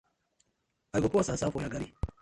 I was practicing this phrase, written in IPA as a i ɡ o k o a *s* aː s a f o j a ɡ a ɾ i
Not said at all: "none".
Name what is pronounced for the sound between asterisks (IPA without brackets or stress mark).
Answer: s